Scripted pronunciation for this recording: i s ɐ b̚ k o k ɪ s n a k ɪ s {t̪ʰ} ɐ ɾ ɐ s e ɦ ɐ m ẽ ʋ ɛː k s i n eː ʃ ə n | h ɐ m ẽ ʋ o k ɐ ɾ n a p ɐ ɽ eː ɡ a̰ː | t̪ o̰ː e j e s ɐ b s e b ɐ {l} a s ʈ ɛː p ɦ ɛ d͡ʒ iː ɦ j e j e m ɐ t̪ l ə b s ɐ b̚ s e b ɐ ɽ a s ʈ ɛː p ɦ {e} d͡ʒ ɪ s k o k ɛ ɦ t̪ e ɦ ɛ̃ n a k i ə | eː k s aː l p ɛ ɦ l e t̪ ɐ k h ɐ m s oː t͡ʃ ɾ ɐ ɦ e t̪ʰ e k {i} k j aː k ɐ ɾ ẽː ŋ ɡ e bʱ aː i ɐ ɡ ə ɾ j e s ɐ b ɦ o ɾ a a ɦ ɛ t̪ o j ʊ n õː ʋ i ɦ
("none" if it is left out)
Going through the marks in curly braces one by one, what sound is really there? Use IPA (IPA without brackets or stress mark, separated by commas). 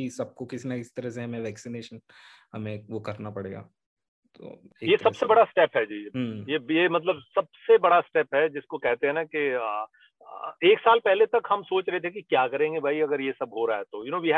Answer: t̪, ɽ, ɛ, i